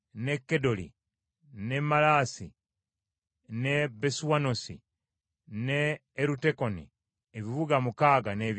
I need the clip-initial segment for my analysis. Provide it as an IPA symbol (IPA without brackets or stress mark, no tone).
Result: n